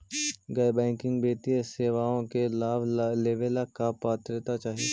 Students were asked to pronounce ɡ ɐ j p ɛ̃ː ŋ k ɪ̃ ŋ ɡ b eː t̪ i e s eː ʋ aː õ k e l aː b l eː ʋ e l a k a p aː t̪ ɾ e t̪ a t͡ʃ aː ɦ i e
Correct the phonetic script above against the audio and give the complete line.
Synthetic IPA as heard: ɡ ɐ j b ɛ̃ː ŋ k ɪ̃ ŋ ɡ b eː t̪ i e s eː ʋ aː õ k e l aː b l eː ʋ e l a k a p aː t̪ ɾ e t̪ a t͡ʃ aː ɦ i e